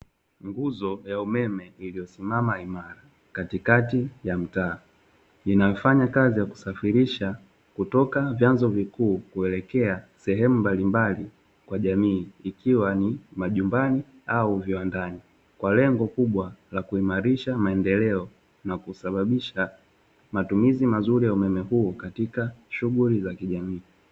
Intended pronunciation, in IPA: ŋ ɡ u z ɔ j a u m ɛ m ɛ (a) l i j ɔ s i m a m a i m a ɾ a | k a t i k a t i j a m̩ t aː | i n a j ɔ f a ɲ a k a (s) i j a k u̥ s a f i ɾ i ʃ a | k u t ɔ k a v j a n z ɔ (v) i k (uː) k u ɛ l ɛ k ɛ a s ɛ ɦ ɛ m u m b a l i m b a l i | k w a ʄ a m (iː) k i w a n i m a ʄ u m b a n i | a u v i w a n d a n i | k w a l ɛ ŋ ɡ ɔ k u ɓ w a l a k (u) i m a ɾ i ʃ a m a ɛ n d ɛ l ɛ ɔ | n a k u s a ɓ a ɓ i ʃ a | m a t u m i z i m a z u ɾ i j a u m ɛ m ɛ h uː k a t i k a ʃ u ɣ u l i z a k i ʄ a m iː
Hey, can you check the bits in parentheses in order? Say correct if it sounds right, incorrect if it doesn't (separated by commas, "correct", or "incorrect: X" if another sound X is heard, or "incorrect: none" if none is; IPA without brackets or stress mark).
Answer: incorrect: i, incorrect: z, correct, correct, correct, correct